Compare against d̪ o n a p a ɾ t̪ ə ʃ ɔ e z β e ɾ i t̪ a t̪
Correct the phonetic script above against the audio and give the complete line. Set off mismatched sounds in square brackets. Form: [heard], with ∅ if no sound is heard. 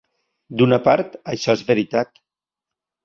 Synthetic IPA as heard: d̪ [u] n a p a ɾ t̪ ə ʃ ɔ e z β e ɾ i t̪ a t̪